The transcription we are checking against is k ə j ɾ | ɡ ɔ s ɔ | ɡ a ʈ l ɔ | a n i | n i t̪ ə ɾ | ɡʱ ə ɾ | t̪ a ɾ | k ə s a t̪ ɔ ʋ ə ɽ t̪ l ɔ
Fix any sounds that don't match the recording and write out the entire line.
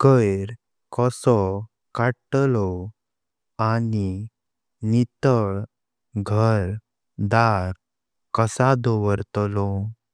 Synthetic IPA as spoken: k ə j ɾ | k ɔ s ɔ | k a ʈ l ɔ | a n i | n i t̪ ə ɭ | ɡʱ ə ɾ | d̪ a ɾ | k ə s a d̪ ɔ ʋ ə ɾ t̪ l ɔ